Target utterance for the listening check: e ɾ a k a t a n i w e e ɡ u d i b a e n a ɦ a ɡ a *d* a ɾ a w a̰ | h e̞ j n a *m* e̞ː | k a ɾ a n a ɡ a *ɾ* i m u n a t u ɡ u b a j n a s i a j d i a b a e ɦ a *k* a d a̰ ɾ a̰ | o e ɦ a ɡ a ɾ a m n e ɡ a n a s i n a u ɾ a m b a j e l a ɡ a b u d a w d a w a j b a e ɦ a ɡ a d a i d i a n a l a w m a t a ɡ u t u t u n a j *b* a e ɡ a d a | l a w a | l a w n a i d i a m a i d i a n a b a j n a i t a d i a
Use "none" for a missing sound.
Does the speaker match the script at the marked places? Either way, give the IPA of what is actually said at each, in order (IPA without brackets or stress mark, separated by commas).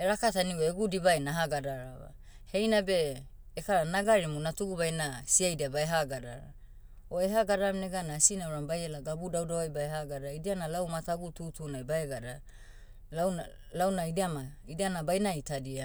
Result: d, b, ɾ, ɡ, b